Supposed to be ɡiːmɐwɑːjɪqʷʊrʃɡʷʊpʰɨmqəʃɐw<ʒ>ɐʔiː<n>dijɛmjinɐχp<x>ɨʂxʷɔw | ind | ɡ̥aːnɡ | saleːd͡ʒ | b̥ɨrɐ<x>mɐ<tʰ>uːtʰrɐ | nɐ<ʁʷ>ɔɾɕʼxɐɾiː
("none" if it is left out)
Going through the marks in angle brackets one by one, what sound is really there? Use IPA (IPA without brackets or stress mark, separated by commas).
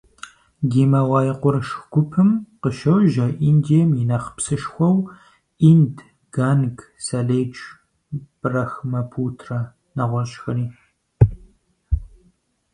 ʒ, n, s, x, pʰ, ʁʷ